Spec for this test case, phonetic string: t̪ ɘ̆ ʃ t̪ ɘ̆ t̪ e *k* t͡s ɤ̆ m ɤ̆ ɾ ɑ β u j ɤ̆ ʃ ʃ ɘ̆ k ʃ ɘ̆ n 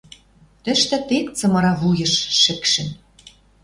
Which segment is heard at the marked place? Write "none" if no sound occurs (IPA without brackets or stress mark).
k